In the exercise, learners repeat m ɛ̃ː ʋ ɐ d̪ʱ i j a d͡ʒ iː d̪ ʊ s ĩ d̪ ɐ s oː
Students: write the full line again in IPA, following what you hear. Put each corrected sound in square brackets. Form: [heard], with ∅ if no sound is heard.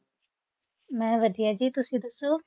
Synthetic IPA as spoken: m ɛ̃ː ʋ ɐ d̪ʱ i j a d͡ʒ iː [t̪] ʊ s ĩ d̪ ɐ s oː